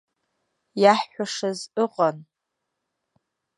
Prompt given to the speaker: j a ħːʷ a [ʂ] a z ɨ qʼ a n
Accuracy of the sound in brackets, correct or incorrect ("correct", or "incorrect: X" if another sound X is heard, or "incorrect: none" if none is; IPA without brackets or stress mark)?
correct